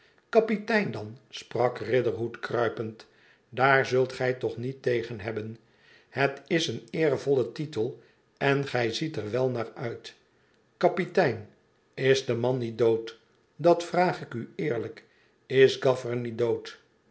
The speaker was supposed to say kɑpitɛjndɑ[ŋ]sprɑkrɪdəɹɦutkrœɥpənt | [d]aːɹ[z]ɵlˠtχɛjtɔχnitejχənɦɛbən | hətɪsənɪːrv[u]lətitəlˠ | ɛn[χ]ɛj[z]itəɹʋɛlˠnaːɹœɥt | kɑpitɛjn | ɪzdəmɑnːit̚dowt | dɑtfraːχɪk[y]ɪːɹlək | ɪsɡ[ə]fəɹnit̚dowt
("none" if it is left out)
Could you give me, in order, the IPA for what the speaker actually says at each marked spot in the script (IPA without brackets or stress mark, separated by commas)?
n, d, z, ɔ, χ, z, y, ɑ